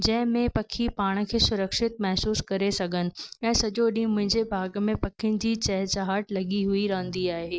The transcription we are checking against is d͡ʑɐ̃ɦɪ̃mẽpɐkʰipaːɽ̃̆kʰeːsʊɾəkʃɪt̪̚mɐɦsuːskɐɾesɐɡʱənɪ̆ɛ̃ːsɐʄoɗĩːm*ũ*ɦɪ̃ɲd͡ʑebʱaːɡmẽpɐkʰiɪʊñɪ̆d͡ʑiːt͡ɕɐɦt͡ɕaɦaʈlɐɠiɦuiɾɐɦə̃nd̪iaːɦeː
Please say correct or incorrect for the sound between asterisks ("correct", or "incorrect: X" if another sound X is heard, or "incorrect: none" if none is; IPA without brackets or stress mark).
incorrect: ʊ̃